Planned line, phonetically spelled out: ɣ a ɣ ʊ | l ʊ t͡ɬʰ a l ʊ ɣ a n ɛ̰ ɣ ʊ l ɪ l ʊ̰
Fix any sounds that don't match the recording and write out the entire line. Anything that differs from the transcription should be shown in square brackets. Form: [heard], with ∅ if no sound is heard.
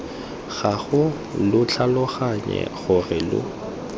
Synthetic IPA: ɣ a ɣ ʊ | l ʊ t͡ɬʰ a l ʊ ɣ a [ɲ] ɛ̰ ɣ ʊ [r] ɪ l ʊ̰